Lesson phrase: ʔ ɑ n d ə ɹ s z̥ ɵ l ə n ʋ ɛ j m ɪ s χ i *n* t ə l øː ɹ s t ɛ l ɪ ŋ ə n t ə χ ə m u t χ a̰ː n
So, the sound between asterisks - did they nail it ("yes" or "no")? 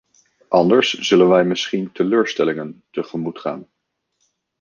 yes